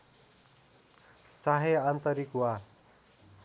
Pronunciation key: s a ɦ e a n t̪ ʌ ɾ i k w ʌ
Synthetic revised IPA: t͡s a ɦ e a n t̪ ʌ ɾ i k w a